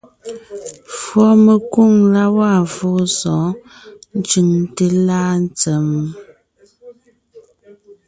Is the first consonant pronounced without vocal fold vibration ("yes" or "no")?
yes